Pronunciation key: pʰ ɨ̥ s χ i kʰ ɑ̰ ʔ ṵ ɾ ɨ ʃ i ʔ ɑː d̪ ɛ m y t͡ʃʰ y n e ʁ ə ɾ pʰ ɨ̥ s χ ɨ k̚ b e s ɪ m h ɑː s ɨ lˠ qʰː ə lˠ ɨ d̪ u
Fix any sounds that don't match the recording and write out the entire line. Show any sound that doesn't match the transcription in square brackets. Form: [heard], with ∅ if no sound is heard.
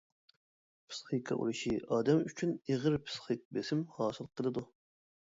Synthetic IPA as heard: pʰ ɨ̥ s χ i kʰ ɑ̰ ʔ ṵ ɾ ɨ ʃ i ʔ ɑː d̪ ɛ m y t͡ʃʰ y n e ʁ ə ɾ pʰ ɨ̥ s χ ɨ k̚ b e s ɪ m h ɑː s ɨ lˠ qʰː ə lˠ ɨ d̪ u